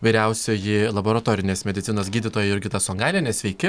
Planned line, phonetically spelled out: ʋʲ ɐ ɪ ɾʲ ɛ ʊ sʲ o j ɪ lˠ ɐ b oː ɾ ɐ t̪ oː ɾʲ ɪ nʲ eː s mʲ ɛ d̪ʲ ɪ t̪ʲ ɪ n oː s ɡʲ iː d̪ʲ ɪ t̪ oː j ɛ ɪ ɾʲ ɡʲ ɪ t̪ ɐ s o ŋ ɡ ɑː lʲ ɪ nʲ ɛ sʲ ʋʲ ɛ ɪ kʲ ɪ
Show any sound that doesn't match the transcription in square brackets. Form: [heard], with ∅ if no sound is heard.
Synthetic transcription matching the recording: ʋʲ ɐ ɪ ɾʲ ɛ ʊ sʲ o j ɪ lˠ ɐ b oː ɾ ɐ t̪ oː ɾʲ ɪ nʲ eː s mʲ ɛ d̪ʲ ɪ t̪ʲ ɪ n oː s ɡʲ iː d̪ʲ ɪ t̪ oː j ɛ ɪ ɾʲ ɡʲ ɪ t̪ ɐ s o ŋ ɡ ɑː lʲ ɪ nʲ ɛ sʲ ʋʲ ɛ ɪ kʲ ɪ